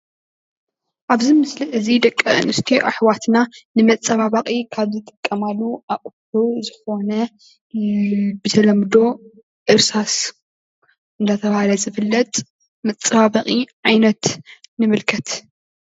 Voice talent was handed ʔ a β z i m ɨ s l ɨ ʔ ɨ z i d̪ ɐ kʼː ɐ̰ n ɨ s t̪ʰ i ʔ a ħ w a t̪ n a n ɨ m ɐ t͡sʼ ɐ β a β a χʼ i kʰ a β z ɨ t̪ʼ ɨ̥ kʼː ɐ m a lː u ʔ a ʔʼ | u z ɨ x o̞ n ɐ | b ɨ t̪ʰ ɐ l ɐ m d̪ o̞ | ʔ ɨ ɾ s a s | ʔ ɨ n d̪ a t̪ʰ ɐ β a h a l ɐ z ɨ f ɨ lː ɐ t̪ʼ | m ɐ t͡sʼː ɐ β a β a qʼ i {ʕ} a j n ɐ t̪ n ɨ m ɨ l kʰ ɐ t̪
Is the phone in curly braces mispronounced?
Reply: no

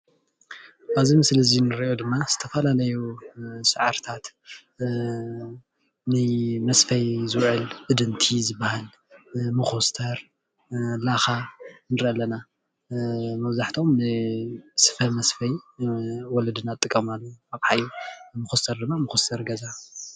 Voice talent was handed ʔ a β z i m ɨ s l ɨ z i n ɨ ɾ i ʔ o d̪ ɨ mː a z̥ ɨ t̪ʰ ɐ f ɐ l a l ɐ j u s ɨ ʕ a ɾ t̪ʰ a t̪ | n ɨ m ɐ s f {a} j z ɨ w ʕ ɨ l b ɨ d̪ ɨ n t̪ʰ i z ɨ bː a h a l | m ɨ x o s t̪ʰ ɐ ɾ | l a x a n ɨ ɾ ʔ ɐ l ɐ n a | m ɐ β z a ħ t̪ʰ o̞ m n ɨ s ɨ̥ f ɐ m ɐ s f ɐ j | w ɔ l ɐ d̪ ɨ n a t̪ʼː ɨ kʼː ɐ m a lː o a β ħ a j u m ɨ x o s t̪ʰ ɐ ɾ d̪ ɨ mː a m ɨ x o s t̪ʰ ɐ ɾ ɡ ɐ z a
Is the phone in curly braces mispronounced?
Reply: yes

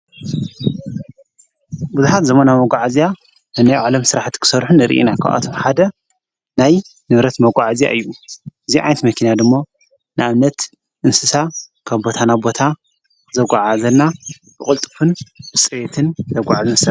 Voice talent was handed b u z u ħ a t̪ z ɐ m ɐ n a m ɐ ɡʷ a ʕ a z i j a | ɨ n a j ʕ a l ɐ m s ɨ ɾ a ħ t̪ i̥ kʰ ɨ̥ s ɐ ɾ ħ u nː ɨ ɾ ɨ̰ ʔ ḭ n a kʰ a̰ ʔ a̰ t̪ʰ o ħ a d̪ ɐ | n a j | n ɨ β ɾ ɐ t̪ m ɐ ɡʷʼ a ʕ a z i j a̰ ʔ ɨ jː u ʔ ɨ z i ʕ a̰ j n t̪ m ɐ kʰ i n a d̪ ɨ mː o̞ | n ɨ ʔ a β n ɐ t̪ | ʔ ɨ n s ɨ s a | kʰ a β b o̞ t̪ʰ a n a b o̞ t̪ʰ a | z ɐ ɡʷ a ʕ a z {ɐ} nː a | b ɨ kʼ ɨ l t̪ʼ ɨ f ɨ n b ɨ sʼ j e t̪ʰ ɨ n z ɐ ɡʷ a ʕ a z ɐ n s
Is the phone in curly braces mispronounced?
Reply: no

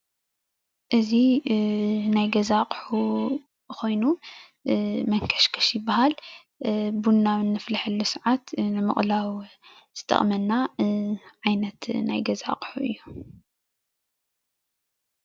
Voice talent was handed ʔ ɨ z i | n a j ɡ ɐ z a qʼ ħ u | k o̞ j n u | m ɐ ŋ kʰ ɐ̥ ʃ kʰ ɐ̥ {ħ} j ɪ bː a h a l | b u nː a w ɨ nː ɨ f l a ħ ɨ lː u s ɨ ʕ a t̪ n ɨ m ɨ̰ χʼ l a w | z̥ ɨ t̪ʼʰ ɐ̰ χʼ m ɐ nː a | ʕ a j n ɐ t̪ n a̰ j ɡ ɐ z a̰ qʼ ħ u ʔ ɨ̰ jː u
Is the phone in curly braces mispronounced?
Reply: yes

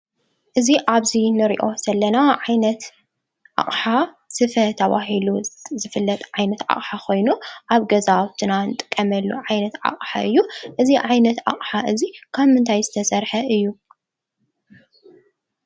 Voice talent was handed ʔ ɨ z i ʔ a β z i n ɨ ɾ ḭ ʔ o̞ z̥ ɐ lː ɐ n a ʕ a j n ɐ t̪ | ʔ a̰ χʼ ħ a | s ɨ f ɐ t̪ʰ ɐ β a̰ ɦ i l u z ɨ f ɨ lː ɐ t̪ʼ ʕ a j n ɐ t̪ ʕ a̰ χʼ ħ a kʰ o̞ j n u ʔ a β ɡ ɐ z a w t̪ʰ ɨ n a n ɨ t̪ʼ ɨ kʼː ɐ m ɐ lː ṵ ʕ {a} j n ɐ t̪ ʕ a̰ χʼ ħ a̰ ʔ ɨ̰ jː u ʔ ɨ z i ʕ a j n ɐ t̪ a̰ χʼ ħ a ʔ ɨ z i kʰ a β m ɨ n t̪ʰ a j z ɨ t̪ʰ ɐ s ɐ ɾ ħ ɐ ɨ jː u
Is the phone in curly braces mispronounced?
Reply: no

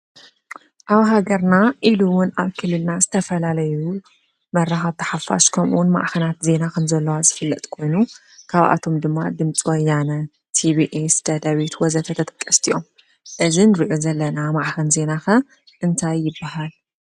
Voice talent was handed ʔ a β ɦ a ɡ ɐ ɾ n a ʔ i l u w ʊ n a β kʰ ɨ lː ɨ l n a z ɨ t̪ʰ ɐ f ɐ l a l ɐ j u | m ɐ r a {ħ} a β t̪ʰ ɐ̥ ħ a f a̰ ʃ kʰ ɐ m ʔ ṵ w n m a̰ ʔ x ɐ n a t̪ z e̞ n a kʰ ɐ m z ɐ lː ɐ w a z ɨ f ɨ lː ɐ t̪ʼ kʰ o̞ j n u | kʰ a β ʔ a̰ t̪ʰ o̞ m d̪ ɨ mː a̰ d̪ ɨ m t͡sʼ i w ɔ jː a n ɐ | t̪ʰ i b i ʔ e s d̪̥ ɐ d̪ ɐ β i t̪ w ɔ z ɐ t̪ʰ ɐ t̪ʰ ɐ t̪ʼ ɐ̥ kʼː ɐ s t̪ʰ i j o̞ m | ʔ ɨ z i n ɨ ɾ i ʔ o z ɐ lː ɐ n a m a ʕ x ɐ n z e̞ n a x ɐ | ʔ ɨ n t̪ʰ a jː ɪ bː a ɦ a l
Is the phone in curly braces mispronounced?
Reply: yes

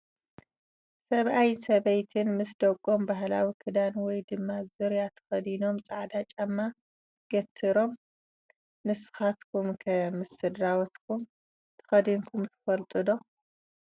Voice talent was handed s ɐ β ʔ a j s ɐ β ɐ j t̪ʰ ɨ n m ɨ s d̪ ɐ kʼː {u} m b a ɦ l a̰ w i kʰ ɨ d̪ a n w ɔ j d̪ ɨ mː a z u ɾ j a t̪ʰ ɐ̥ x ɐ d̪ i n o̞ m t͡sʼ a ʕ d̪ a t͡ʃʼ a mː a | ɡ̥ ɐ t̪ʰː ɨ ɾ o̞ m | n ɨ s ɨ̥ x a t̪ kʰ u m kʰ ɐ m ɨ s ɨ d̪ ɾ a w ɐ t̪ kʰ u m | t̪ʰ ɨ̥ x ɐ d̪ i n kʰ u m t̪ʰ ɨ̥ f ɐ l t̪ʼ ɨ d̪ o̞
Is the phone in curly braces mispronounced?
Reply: yes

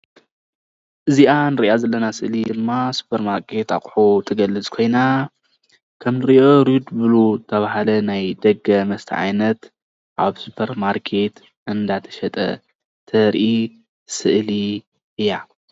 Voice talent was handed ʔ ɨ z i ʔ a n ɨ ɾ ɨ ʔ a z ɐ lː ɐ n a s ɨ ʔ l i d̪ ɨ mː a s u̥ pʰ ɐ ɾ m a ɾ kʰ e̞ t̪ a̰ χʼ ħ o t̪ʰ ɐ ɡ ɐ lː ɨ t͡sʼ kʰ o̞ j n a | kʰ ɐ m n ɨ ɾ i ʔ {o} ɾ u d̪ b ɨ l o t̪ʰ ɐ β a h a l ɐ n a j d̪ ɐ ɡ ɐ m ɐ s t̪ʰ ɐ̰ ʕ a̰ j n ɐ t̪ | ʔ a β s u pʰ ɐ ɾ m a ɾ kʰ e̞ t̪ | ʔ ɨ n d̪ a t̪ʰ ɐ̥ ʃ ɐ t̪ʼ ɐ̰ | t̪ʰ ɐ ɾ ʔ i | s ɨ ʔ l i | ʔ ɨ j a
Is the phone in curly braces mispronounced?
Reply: no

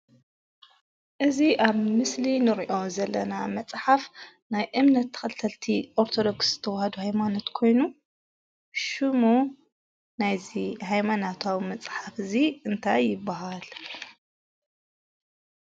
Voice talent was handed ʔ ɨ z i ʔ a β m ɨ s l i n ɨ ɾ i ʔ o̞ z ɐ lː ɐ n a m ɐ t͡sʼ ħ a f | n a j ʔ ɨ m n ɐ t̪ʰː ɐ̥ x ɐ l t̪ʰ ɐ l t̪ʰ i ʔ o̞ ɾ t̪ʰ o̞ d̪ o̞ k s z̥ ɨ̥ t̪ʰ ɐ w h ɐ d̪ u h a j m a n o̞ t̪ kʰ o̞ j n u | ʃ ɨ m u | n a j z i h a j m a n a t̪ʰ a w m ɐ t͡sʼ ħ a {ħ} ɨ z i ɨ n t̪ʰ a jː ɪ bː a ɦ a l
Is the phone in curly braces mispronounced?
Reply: yes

